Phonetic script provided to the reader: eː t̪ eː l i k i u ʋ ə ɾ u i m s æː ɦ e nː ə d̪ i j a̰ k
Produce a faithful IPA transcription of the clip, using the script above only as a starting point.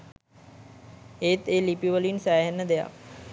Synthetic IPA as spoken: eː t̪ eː l i p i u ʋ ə l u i n s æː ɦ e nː ə d̪ e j a̰ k